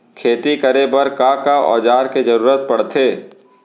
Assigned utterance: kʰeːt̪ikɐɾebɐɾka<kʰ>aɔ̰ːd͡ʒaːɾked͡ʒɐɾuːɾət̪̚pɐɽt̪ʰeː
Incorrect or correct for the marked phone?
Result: incorrect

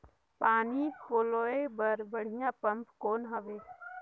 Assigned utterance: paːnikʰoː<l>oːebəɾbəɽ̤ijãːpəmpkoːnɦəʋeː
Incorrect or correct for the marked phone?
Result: correct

